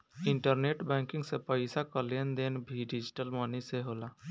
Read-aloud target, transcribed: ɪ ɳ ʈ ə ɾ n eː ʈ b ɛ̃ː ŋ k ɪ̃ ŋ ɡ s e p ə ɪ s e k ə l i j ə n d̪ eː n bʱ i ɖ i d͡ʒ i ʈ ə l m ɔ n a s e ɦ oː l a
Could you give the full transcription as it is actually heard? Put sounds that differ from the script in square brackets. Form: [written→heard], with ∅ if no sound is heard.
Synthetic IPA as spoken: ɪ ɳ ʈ ə ɾ n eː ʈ b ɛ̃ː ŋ k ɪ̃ ŋ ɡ s e p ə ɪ s [e→a] k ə l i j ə n d̪ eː n bʱ i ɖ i d͡ʒ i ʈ ə l m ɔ n [a→i] s e ɦ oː l a